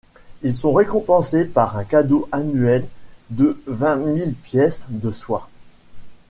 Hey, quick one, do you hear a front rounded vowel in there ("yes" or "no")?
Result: no